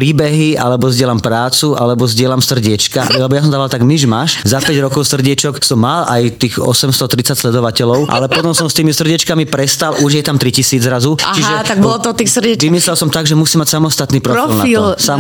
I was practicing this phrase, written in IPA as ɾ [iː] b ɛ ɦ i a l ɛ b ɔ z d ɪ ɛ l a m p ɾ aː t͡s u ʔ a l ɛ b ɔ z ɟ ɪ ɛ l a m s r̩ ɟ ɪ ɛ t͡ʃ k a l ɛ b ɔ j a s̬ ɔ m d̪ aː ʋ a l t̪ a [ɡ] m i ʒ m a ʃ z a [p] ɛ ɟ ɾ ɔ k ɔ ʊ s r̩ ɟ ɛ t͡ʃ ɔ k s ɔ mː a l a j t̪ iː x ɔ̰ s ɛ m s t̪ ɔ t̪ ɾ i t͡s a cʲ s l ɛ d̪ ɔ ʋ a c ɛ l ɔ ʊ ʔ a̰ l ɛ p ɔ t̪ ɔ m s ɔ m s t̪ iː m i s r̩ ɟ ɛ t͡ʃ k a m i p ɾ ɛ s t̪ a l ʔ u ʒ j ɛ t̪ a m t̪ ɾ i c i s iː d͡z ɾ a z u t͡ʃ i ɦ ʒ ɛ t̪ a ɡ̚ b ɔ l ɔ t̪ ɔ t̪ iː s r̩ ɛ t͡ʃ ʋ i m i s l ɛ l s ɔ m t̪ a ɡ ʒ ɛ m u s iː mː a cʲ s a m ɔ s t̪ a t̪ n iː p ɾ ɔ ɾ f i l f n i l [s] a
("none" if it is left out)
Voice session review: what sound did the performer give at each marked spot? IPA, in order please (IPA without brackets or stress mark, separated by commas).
iː, ɡ, p, s